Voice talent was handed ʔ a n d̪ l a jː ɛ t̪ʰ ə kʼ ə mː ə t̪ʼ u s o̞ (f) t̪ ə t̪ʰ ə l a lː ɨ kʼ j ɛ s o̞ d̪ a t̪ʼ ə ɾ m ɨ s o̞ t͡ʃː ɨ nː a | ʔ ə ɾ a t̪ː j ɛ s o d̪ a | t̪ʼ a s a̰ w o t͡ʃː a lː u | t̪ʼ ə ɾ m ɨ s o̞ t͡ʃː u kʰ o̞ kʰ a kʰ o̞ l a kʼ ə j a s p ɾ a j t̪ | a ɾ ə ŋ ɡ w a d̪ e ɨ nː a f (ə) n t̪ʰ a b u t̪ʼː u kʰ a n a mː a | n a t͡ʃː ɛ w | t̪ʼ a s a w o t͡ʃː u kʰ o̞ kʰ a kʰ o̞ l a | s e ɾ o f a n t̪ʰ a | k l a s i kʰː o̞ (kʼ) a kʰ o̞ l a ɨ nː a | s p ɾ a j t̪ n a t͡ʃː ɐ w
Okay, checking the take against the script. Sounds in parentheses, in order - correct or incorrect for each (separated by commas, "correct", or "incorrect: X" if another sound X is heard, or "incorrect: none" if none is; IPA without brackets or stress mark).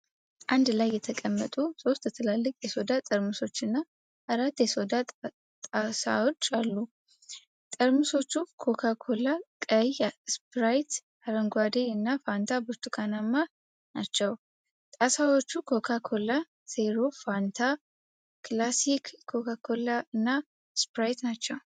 incorrect: s, incorrect: a, incorrect: k